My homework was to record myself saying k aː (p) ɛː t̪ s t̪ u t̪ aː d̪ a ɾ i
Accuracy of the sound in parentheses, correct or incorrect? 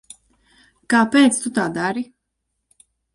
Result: correct